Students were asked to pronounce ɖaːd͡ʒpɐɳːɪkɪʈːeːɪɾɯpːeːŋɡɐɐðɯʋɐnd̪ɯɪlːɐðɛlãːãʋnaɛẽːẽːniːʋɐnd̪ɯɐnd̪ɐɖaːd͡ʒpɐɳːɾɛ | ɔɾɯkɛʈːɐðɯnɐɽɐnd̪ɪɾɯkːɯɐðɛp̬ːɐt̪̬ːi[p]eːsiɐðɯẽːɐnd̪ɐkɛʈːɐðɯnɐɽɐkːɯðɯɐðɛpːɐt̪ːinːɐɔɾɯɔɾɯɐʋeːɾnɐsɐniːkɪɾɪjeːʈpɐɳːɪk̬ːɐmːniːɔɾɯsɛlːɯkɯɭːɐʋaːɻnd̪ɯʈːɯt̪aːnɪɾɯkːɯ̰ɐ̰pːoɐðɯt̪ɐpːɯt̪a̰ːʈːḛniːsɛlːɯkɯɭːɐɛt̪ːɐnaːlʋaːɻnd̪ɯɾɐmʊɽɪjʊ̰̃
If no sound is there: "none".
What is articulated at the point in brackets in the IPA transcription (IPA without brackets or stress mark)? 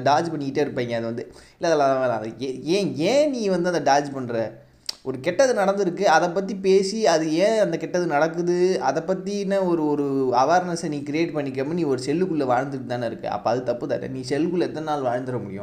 p